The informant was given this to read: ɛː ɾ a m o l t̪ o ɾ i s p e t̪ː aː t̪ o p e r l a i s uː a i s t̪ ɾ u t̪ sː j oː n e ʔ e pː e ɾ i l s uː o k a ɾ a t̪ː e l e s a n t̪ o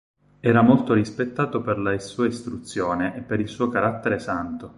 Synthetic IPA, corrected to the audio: ɛː ɾ a m o l t̪ o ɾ i s p e t̪ː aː t̪ o p e r l a i s uː a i s t̪ ɾ u t̪ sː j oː n e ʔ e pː e ɾ i l s uː o k a ɾ a t̪ː e ɾ e s a n t̪ o